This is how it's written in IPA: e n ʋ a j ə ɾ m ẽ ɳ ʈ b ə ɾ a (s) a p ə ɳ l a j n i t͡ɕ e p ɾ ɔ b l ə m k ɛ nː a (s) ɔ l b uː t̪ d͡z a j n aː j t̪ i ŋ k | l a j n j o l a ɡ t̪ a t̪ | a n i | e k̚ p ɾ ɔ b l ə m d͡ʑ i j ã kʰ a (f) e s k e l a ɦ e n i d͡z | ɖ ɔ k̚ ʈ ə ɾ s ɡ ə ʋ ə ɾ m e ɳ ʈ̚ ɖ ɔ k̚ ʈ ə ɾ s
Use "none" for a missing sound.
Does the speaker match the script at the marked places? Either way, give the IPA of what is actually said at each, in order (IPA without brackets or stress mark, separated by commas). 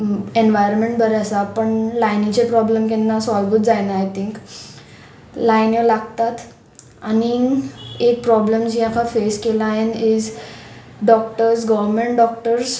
s, s, f